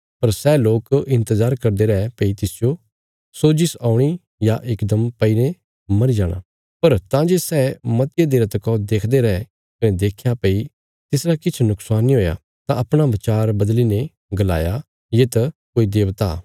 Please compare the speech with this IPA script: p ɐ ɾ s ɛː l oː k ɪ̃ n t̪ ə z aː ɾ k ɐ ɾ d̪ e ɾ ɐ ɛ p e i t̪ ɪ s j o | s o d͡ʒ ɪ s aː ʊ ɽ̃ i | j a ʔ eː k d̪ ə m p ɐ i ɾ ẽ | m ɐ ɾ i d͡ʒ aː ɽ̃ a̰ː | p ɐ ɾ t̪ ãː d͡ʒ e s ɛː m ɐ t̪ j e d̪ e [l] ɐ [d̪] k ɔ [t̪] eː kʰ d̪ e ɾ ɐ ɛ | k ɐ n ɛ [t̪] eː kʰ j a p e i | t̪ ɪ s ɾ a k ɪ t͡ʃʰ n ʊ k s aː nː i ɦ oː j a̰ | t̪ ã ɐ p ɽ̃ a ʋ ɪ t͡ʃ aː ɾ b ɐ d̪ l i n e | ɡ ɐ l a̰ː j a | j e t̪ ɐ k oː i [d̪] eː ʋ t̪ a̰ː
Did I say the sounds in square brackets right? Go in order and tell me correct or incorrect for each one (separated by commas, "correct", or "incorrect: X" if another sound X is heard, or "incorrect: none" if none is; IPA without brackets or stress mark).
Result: incorrect: ɾ, incorrect: t̪, incorrect: d̪, incorrect: d̪, correct